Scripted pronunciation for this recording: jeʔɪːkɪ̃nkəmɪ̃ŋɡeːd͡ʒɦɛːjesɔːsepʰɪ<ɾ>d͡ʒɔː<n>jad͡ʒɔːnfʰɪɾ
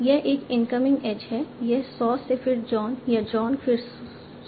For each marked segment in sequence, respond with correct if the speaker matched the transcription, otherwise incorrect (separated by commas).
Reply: correct, correct